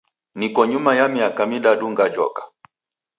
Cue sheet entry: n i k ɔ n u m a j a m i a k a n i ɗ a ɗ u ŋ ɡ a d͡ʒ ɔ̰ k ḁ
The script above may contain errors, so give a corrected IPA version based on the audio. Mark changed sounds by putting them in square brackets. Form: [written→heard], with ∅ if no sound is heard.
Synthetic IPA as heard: n i k ɔ [n→ɲ] u m a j a m i a k a [n→m] i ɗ a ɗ u ŋ ɡ a d͡ʒ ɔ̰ k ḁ